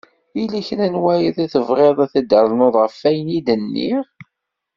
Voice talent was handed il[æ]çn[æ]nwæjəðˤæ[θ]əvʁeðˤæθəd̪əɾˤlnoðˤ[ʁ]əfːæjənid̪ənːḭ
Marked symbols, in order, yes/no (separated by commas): yes, yes, yes, yes